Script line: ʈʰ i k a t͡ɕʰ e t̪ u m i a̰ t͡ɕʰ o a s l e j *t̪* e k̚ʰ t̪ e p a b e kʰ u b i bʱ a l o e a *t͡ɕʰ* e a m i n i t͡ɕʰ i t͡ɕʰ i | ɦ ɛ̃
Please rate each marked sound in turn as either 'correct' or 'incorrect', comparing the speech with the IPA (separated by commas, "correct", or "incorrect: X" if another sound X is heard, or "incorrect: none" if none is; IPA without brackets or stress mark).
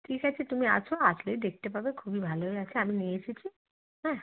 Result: incorrect: d̪, correct